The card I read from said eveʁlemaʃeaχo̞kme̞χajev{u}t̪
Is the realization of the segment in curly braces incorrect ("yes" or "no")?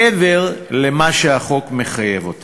yes